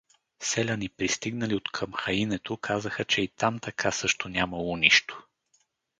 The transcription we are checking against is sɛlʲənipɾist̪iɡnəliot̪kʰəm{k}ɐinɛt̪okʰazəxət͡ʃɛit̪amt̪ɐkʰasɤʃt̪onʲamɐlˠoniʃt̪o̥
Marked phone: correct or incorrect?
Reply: incorrect